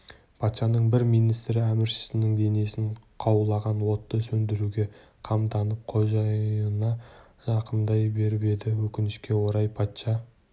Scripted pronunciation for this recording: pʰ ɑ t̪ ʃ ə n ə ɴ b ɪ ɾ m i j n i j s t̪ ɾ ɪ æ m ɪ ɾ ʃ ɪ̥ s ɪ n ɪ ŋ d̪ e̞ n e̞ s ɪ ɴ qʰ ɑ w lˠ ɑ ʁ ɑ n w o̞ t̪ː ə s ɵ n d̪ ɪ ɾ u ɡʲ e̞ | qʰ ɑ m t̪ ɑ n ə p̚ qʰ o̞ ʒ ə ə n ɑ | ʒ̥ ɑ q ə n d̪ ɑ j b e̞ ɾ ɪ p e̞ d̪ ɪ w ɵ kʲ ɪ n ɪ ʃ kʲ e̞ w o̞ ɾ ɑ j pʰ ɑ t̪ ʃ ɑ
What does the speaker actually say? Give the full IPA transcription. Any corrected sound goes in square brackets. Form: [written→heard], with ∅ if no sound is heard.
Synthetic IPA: pʰ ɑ t̪ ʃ [ə→ɑ] n ə ɴ b ɪ ɾ m i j n i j s t̪ ɾ ɪ æ m ɪ ɾ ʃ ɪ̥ s ɪ n ɪ ŋ d̪ e̞ n e̞ s ɪ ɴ qʰ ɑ w lˠ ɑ ʁ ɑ n w o̞ t̪ː ə s ɵ n d̪ ɪ ɾ u ɡʲ e̞ | qʰ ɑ m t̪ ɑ n ə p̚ qʰ o̞ ʒ [ə→ɑ] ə n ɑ | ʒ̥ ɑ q ə n d̪ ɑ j b e̞ ɾ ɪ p e̞ d̪ ɪ w ɵ kʲ ɪ n ɪ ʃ kʲ e̞ w o̞ ɾ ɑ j pʰ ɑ t̪ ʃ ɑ